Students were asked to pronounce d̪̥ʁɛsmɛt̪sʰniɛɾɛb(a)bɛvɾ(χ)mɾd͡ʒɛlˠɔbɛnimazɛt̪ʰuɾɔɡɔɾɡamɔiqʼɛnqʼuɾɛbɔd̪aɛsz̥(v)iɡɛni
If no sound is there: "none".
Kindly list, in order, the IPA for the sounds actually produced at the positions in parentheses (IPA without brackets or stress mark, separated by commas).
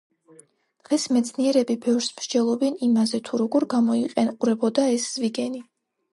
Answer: i, s, v